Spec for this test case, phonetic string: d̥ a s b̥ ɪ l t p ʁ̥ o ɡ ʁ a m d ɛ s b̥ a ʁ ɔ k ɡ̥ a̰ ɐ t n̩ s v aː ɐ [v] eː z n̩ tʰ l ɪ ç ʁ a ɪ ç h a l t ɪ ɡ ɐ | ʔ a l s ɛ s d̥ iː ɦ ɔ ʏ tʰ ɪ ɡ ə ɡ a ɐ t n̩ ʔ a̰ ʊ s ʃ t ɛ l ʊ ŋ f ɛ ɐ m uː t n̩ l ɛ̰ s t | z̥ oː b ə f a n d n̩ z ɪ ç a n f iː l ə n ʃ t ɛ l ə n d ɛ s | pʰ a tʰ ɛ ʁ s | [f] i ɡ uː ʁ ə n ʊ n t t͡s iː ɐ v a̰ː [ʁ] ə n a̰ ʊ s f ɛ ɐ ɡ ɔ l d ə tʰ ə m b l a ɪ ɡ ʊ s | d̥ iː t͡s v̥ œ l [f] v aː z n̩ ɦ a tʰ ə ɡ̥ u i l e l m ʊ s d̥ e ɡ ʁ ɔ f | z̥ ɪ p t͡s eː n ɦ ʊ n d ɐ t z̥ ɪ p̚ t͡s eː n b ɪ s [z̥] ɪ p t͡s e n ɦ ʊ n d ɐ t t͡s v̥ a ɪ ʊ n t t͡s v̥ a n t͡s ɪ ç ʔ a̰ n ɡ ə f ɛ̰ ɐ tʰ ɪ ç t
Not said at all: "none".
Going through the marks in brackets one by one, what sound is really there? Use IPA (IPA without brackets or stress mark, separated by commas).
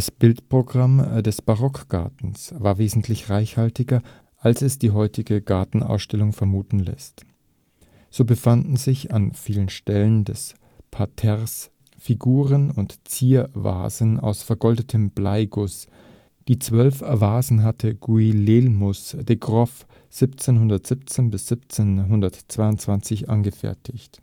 v, f, z, f, z̥